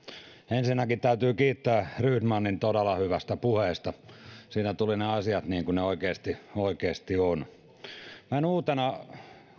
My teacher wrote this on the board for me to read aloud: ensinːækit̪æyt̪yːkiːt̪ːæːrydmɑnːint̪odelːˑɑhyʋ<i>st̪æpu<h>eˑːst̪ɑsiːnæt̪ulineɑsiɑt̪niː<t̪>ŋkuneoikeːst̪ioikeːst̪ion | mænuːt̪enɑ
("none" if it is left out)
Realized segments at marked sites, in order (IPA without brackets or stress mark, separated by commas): æ, h, none